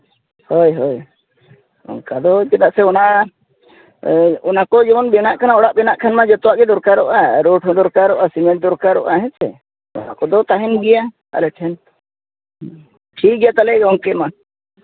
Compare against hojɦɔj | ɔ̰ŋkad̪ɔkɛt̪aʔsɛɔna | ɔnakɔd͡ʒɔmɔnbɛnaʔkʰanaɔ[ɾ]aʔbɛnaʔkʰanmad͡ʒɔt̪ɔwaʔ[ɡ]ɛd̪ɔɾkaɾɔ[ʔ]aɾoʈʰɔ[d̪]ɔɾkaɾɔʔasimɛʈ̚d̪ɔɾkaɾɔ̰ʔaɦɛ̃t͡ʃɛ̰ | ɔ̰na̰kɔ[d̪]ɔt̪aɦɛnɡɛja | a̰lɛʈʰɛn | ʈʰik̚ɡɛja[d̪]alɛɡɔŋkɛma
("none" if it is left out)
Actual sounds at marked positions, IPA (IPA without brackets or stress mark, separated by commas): ɽ, ɡ, ʔ, d̪, d̪, t̪